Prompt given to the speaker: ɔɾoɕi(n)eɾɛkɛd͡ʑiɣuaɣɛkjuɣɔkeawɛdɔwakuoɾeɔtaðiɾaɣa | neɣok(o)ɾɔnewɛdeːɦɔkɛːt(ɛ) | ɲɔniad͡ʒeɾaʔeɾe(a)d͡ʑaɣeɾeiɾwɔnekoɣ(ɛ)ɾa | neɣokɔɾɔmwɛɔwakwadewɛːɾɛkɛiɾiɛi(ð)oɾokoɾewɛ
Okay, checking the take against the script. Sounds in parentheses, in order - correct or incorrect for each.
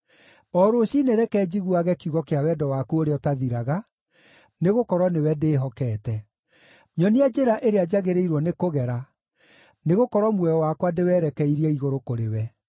correct, incorrect, correct, correct, correct, incorrect

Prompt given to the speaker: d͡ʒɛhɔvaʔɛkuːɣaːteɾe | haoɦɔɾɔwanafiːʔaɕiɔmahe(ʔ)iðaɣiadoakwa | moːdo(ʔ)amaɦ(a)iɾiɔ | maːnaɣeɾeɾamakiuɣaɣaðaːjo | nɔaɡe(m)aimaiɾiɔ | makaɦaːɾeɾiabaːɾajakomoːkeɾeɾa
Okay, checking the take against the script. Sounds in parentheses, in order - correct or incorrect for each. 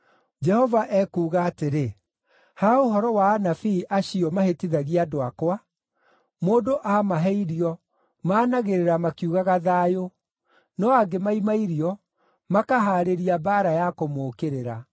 incorrect, correct, incorrect, correct

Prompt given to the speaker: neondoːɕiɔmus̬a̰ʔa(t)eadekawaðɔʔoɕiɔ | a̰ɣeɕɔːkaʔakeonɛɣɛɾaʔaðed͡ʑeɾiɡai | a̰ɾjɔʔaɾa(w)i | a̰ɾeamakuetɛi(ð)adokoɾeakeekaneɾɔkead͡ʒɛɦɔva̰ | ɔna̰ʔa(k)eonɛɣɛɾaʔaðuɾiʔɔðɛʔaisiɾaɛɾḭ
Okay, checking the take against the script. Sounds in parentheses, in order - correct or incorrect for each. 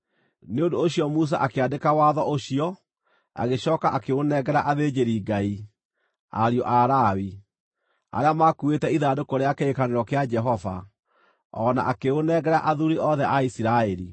incorrect, correct, correct, correct

